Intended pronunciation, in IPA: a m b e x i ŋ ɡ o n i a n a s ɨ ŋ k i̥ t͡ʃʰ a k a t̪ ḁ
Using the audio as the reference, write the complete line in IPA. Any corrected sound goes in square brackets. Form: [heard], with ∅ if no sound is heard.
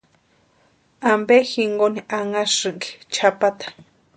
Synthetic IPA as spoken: a m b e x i ŋ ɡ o n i a [ŋ] a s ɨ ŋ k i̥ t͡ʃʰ a [p] a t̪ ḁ